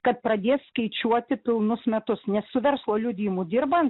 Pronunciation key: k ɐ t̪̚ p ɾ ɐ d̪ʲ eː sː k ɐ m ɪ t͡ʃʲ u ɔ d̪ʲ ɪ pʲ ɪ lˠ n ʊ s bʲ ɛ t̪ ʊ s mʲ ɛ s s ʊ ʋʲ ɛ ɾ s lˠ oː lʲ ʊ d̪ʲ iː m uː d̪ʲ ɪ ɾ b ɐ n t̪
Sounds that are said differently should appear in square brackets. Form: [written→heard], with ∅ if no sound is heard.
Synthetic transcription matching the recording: k ɐ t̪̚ p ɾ ɐ d̪ʲ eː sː k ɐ [m→∅] ɪ t͡ʃʲ u ɔ [d̪ʲ→t̪ʲ] ɪ pʲ ɪ lˠ n ʊ s [bʲ→mʲ] ɛ t̪ ʊ s [mʲ→nʲ] ɛ s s ʊ ʋʲ ɛ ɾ s lˠ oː lʲ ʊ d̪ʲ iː m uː d̪ʲ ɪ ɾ b ɐ n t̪